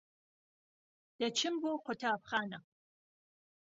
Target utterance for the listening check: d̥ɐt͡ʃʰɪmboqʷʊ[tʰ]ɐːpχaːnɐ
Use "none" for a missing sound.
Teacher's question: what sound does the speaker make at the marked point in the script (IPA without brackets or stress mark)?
tʰ